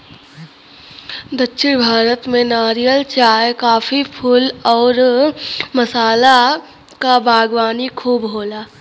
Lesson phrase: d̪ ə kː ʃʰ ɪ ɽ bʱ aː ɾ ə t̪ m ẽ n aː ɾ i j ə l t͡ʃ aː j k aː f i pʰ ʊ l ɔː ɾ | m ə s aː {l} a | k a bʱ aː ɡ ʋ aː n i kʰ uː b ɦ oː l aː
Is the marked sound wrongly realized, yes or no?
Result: no